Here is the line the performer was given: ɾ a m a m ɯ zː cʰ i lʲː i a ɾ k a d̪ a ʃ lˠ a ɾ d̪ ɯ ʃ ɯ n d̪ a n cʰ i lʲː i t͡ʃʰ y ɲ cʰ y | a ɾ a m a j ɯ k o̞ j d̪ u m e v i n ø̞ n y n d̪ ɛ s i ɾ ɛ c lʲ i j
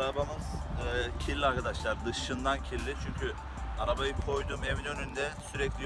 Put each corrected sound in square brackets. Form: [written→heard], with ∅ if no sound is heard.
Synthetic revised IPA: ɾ a [m→b] a m ɯ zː cʰ i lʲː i a ɾ k a d̪ a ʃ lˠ a ɾ d̪ ɯ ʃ ɯ n d̪ a n cʰ i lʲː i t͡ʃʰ y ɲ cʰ y | a ɾ a [m→b] a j ɯ [k→kʰ] o̞ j d̪ u m e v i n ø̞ n y n d̪ ɛ s [i→y] ɾ ɛ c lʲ i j

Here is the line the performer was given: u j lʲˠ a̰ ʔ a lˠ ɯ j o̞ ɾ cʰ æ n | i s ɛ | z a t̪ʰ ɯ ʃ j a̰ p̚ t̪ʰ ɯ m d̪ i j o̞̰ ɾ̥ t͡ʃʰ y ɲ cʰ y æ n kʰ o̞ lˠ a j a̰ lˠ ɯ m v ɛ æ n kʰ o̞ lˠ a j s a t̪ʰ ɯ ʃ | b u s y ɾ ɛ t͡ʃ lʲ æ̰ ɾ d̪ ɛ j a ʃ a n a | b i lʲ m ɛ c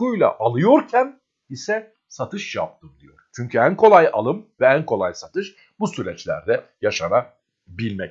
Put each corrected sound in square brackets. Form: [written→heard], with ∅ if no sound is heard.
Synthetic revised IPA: u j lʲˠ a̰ ʔ a lˠ ɯ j o̞ ɾ cʰ æ n | i s ɛ | [z→s] a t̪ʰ ɯ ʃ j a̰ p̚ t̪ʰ ɯ m d̪ i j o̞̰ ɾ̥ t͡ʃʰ y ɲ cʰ y æ n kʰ o̞ lˠ a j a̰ lˠ ɯ m v ɛ æ n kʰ o̞ lˠ a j s a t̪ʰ ɯ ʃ | b u s y ɾ ɛ t͡ʃ lʲ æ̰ ɾ d̪ ɛ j a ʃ a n a | b i lʲ m ɛ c

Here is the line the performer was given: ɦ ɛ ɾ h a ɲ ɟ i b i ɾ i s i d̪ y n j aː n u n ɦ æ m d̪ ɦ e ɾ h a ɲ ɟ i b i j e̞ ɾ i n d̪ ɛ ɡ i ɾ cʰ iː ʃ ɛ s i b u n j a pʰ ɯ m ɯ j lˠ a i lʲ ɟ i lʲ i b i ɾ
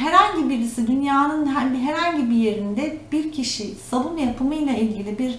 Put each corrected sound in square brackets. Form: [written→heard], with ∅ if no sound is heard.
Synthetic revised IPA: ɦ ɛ ɾ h a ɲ ɟ i b i ɾ i s i d̪ y n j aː n [u→ɯ] n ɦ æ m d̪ ɦ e ɾ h a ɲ ɟ i b i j e̞ ɾ i n d̪ ɛ [ɡ→b] i ɾ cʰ [iː→i] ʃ [ɛ→i] s [i→a] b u n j a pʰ ɯ m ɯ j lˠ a i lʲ ɟ i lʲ i b i ɾ

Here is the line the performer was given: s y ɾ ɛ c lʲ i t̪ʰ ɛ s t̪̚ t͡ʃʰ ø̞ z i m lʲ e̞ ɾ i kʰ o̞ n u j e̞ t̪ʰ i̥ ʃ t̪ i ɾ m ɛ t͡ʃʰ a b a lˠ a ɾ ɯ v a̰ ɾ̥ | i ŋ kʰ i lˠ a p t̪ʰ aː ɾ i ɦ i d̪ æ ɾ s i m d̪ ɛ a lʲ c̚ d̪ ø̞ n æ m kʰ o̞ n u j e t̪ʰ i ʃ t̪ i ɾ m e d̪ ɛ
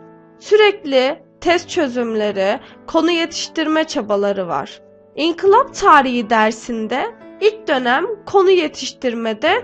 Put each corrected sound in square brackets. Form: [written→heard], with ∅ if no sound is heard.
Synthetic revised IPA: s y ɾ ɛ c lʲ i t̪ʰ ɛ s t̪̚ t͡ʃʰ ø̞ z [i→y] m lʲ e̞ ɾ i kʰ o̞ n u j e̞ t̪ʰ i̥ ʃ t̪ i ɾ m ɛ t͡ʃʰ a b a lˠ a ɾ ɯ v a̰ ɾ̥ | i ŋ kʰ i lˠ a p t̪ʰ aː ɾ i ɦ i d̪ æ ɾ s i [m→n] d̪ ɛ [a→i] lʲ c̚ d̪ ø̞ n æ m kʰ o̞ n u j e t̪ʰ i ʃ t̪ i ɾ m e d̪ ɛ

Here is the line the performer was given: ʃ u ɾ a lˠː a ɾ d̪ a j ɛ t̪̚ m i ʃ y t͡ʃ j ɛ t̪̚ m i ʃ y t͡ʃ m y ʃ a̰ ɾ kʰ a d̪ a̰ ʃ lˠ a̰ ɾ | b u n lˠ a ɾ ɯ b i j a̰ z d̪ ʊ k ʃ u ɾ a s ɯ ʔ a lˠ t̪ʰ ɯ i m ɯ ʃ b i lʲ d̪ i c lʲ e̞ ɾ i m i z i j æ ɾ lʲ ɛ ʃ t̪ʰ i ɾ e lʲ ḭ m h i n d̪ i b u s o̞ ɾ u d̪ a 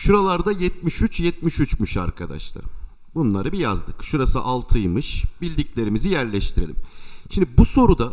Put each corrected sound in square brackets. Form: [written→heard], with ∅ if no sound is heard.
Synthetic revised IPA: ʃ u ɾ a [lˠː→lˠ] a ɾ d̪ a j ɛ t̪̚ m i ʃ y t͡ʃ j ɛ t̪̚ m i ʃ y t͡ʃ m y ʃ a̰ ɾ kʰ a d̪ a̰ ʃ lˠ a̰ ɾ | b u n lˠ a ɾ ɯ b i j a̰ z d̪ [ʊ→ɯ] k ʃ u ɾ a s ɯ ʔ a lˠ t̪ʰ ɯ [i→j] m ɯ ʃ b i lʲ d̪ i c lʲ e̞ ɾ i m i z i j æ ɾ lʲ ɛ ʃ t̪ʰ i ɾ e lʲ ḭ m [h→ʃ] i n d̪ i b u s o̞ ɾ u d̪ a

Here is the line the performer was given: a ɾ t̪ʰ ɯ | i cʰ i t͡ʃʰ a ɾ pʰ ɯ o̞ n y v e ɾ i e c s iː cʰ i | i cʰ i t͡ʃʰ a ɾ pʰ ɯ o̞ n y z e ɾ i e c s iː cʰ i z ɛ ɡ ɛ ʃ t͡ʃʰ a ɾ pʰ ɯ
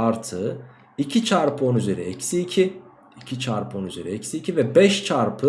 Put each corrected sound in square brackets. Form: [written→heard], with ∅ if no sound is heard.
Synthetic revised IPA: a ɾ t̪ʰ ɯ | i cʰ i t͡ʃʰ a ɾ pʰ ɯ o̞ n y [v→z] e ɾ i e c s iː cʰ i | i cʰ i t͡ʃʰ a ɾ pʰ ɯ o̞ n y z e ɾ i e c s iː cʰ i [z→v] ɛ [ɡ→b] ɛ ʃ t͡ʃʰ a ɾ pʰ ɯ

